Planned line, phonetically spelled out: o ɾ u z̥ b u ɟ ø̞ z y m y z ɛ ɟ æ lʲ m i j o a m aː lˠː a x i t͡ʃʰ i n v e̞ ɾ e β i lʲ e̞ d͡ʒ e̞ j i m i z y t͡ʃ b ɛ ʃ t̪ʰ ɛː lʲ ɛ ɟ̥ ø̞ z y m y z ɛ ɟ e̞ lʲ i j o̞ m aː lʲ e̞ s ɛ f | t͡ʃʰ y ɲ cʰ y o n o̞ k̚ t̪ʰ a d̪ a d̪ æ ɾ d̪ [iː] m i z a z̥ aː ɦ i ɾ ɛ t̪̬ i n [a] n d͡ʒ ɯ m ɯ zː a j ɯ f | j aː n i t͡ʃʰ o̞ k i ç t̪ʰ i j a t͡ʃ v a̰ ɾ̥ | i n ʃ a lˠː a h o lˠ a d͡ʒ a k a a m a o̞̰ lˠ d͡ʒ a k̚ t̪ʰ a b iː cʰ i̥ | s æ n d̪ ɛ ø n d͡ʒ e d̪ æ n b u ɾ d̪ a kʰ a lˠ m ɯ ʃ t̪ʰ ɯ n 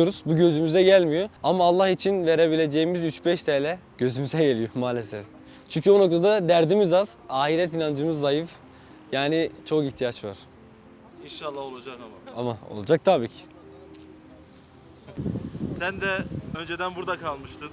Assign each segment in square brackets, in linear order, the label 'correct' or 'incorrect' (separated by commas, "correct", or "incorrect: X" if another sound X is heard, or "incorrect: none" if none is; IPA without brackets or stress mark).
incorrect: i, correct